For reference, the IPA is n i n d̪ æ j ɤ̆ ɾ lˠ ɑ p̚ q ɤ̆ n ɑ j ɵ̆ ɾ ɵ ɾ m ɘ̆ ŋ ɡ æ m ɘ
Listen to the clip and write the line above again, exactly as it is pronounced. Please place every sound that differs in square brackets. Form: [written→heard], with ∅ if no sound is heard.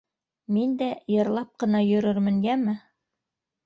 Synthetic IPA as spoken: [n→m] i n d̪ æ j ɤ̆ ɾ lˠ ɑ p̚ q ɤ̆ n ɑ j ɵ̆ ɾ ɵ ɾ m ɘ̆ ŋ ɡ æ m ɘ